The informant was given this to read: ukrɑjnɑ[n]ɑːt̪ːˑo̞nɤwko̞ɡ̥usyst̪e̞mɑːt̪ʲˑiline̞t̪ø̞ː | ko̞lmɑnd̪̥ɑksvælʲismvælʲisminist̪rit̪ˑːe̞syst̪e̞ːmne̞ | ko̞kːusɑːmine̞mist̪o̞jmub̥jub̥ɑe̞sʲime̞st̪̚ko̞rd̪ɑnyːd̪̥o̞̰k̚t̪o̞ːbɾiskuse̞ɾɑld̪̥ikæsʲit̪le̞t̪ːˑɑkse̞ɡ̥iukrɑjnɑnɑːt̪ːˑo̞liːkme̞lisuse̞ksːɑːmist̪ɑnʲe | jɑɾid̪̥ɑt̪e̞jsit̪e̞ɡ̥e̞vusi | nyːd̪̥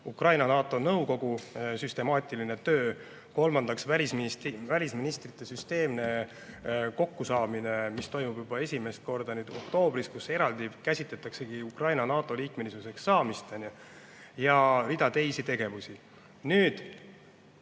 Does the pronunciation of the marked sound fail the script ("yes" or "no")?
no